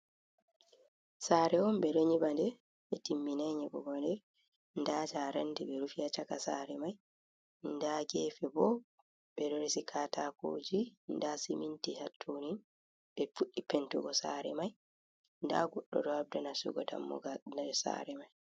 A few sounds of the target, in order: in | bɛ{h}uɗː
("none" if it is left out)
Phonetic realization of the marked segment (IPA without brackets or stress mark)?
f